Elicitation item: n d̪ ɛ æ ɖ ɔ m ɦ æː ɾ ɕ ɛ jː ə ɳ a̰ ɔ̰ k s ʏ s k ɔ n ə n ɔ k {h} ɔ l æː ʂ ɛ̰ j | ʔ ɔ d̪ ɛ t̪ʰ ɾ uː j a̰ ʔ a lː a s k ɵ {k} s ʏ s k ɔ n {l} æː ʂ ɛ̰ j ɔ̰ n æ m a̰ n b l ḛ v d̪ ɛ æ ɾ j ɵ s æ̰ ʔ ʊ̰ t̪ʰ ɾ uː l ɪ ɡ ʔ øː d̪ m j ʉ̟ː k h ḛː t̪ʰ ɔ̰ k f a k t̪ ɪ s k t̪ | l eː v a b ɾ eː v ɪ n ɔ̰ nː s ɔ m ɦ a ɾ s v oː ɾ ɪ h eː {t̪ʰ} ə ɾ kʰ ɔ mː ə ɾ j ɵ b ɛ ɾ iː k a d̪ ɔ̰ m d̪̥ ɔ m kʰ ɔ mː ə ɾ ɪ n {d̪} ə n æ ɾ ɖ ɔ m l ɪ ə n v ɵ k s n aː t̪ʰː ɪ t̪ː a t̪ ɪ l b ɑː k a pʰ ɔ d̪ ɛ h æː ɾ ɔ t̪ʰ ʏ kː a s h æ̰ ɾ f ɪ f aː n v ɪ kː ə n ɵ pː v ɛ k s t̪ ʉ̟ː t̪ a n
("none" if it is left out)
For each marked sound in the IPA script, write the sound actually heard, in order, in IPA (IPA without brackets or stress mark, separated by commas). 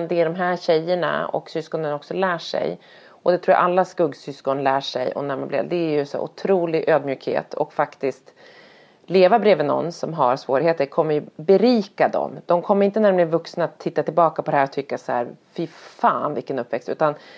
s, ɡ, l, t̪, t̪